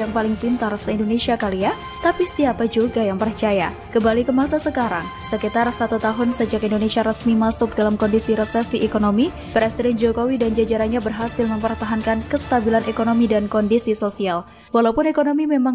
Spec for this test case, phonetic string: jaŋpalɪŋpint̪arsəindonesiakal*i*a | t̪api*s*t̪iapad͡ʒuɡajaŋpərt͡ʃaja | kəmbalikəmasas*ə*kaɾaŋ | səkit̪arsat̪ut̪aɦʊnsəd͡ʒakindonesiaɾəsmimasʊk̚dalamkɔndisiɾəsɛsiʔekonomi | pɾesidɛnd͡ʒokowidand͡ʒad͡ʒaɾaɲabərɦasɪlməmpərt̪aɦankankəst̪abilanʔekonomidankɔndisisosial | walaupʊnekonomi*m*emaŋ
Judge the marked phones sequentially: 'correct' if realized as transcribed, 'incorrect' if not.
correct, correct, correct, correct

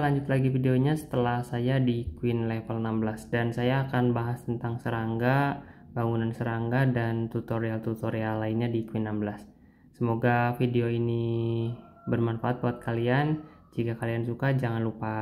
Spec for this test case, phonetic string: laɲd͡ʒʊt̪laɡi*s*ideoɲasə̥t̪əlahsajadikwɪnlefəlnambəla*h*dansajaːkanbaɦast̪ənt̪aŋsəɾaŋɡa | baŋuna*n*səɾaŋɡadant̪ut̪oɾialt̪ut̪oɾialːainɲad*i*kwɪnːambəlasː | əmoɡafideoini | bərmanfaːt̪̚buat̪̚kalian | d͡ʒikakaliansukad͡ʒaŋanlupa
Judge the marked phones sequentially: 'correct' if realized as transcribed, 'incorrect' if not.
incorrect, incorrect, correct, correct

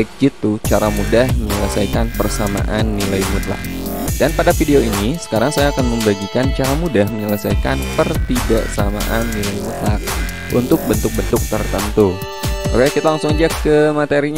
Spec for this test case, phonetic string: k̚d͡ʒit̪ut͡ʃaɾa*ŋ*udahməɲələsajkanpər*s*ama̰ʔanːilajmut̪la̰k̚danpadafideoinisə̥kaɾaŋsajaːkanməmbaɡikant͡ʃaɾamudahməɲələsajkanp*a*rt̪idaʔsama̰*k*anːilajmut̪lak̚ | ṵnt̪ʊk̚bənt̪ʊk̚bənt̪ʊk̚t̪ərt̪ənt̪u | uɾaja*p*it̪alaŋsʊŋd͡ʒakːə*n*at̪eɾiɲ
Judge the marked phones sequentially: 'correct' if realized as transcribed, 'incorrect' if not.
incorrect, correct, incorrect, incorrect, incorrect, incorrect

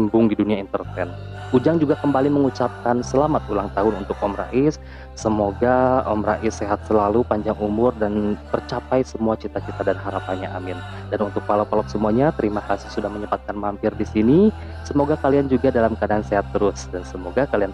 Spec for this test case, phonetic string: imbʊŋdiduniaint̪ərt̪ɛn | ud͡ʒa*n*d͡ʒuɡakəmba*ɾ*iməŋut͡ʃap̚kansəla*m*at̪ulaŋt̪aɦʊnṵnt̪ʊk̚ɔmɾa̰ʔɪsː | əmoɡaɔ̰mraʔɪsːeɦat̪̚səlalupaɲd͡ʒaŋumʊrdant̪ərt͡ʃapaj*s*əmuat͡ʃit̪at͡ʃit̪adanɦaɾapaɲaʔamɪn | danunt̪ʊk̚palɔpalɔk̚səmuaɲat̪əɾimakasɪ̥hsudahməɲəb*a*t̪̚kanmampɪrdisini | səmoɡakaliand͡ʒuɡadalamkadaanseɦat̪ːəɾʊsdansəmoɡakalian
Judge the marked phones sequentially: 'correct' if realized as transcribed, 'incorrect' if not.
incorrect, incorrect, correct, correct, correct

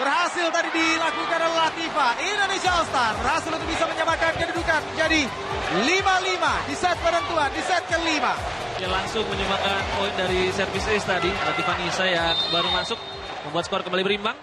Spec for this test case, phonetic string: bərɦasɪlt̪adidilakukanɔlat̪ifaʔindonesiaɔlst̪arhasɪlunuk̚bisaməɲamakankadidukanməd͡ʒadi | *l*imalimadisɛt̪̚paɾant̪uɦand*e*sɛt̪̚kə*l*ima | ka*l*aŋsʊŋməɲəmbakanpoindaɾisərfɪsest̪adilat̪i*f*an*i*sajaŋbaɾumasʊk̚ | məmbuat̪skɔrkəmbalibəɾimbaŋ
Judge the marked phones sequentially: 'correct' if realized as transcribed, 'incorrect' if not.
correct, incorrect, correct, correct, correct, correct

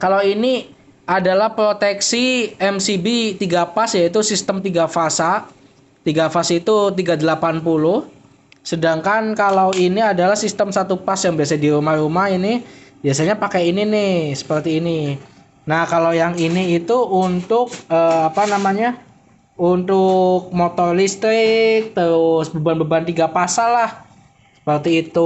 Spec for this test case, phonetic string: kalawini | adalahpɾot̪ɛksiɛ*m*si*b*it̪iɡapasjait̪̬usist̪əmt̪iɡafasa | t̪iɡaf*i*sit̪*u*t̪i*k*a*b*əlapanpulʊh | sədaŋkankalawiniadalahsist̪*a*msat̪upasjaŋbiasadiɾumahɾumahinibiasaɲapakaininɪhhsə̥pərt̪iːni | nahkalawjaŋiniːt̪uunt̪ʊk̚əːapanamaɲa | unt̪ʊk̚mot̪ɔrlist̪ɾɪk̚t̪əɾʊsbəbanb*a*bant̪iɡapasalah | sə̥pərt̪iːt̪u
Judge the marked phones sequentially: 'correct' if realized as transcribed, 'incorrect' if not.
correct, correct, incorrect, correct, incorrect, incorrect, incorrect, incorrect

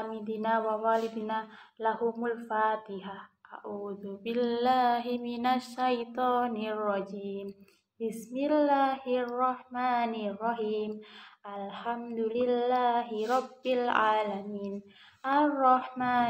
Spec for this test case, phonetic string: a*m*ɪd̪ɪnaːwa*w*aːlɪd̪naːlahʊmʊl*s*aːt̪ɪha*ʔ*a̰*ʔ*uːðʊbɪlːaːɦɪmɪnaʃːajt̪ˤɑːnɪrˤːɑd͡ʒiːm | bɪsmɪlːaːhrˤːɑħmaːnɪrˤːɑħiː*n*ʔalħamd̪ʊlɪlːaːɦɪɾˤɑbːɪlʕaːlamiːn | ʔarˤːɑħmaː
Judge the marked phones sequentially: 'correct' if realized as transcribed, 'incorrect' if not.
correct, correct, incorrect, correct, correct, incorrect

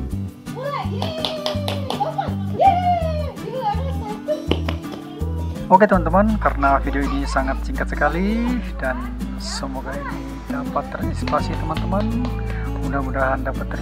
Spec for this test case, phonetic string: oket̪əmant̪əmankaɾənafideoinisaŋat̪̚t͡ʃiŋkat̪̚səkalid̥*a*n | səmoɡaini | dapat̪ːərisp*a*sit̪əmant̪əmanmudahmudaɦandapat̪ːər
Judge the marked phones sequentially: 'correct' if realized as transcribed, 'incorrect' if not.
correct, correct

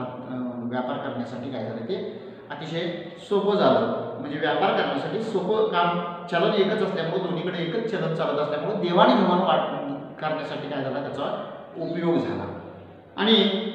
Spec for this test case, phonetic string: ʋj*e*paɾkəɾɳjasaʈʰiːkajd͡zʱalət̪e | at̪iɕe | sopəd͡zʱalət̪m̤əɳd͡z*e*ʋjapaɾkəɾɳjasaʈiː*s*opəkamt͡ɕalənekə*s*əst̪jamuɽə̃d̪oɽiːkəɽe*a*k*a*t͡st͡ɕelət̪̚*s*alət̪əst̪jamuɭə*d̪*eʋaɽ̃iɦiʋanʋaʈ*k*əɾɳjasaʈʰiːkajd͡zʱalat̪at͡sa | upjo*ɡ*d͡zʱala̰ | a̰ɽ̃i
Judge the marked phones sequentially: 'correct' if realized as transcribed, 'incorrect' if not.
incorrect, correct, correct, incorrect, incorrect, incorrect, incorrect, correct, correct, correct

